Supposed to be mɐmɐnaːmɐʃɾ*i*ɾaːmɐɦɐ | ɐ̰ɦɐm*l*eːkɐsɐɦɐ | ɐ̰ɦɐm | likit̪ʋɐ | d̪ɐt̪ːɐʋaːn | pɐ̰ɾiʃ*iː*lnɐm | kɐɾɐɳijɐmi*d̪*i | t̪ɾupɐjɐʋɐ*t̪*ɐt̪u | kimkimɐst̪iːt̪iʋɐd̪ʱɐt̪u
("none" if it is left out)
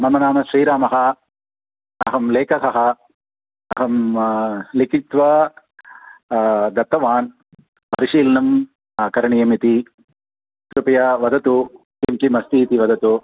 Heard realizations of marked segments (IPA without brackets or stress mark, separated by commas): iː, l, iː, t̪, d̪